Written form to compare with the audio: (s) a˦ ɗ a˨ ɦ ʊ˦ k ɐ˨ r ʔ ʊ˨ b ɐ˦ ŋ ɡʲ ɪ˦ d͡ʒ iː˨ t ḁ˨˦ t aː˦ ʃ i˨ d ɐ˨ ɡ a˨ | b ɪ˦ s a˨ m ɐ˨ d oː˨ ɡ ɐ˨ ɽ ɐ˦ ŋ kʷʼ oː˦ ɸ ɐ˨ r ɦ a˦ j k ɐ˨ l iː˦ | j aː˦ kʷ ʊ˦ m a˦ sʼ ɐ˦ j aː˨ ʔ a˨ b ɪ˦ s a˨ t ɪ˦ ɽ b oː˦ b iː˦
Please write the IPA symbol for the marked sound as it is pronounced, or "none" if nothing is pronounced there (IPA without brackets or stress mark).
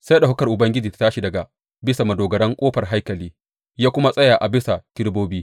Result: s